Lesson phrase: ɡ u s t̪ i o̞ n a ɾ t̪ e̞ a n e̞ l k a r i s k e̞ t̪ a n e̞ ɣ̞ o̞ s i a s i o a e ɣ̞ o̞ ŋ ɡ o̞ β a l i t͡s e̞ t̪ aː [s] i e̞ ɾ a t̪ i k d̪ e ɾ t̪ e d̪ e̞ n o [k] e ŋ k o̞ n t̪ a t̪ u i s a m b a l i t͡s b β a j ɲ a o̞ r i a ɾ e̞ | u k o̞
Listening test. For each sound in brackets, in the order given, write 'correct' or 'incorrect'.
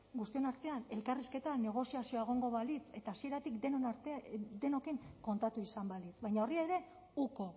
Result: correct, correct

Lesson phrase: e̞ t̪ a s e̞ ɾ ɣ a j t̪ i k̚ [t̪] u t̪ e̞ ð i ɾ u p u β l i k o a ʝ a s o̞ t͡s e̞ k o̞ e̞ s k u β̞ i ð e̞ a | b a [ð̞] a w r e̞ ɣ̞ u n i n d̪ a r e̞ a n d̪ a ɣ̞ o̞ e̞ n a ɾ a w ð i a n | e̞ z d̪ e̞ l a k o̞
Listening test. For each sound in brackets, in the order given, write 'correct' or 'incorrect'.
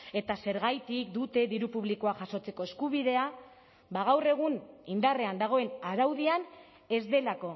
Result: incorrect: d̪, incorrect: ɣ̞

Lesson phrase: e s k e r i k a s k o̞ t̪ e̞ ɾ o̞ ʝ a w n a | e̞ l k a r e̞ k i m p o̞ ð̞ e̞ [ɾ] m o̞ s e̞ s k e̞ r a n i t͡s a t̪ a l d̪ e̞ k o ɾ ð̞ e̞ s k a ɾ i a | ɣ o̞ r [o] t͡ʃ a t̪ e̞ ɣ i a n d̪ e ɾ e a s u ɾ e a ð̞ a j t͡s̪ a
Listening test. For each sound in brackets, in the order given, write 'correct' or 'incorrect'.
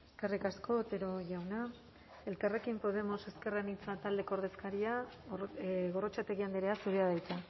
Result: incorrect: none, correct

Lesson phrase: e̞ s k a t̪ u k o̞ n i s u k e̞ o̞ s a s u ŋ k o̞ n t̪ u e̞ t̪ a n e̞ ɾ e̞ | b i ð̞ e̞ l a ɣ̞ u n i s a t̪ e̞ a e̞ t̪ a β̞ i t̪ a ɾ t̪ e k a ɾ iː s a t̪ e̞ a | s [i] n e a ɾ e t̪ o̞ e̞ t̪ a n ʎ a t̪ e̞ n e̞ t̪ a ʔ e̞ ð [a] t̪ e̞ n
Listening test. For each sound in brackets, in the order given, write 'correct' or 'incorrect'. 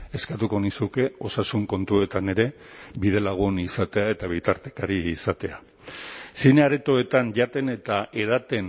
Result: correct, correct

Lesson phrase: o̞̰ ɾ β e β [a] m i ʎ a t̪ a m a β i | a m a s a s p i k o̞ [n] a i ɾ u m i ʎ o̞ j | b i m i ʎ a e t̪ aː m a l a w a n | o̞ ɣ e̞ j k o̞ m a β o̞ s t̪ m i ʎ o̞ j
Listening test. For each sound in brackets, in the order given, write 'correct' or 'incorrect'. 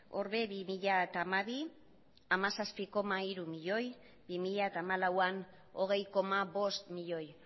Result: incorrect: i, incorrect: m

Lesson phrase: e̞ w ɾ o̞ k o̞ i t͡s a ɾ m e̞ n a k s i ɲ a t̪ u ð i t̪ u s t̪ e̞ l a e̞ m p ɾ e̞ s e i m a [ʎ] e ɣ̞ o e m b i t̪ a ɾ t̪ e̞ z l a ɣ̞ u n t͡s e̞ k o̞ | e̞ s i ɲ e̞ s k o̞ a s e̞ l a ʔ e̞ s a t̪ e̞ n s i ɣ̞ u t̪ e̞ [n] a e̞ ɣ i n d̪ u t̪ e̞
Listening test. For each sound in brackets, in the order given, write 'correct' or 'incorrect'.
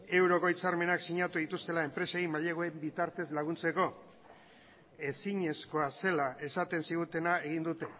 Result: correct, correct

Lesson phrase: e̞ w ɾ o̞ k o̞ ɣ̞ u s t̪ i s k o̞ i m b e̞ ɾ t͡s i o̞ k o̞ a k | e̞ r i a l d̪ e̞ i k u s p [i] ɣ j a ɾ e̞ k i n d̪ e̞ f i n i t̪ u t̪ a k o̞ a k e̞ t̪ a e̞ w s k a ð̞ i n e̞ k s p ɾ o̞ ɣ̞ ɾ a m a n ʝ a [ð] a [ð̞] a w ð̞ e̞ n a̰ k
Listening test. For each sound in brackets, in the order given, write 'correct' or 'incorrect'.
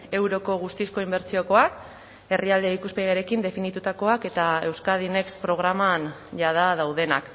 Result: incorrect: e, correct, correct

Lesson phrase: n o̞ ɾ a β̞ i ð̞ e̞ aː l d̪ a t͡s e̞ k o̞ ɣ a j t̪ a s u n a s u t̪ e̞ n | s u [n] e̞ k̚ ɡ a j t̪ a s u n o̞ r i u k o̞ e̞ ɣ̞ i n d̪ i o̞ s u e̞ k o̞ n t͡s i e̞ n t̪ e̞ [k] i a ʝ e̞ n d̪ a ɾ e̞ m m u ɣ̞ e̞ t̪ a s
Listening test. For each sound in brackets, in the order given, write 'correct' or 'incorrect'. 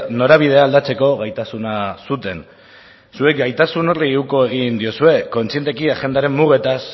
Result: incorrect: none, correct

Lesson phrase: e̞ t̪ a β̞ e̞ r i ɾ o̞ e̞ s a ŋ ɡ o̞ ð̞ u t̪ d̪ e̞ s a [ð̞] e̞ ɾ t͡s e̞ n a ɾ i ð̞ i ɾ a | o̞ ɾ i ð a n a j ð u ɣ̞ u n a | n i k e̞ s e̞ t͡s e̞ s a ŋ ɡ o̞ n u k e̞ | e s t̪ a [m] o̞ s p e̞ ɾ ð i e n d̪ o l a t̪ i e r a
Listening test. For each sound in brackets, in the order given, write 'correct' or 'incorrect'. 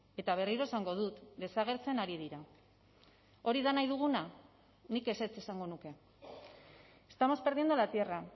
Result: incorrect: ɣ̞, correct

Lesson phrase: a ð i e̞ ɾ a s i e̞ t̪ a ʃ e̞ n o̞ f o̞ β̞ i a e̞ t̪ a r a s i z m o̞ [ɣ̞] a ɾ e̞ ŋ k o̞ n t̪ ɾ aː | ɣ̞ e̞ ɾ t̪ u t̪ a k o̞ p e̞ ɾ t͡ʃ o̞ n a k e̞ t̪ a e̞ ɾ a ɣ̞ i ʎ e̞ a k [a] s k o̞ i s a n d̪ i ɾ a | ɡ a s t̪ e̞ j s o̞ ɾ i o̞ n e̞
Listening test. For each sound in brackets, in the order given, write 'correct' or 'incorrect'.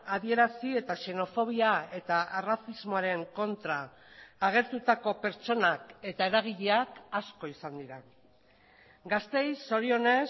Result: incorrect: none, correct

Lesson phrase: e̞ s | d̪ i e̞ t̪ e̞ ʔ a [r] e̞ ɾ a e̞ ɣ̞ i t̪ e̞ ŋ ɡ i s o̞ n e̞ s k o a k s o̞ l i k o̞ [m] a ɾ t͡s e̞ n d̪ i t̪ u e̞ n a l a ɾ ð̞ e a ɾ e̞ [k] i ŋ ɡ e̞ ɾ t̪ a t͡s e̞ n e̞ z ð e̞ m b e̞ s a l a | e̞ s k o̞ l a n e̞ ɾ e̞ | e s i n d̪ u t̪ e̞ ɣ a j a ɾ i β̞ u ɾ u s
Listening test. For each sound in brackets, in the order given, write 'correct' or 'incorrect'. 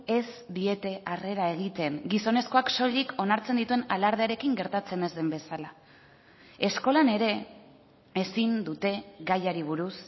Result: correct, incorrect: n, correct

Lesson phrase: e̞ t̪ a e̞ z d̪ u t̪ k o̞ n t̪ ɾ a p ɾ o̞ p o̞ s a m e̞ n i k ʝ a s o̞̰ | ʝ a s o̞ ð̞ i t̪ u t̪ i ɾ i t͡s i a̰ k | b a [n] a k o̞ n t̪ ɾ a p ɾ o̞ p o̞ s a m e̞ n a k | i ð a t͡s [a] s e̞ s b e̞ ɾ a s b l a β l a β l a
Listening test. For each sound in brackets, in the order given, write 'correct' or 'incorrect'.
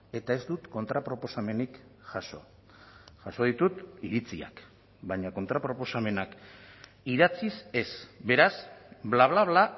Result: incorrect: ɲ, incorrect: i

